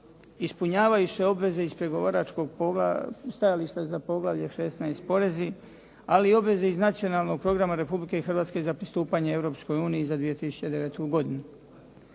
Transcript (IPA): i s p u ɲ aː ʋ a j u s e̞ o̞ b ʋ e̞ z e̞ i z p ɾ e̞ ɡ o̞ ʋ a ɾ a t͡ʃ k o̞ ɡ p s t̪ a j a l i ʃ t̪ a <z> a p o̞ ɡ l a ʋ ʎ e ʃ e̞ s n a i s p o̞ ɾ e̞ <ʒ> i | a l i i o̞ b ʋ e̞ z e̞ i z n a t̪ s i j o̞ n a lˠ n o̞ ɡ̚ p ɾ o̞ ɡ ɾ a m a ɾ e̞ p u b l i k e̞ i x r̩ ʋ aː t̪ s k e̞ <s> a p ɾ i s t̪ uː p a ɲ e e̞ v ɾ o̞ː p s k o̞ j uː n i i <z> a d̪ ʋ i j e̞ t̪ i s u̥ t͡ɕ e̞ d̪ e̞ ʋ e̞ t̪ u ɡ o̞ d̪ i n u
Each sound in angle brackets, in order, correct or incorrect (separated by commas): correct, incorrect, incorrect, correct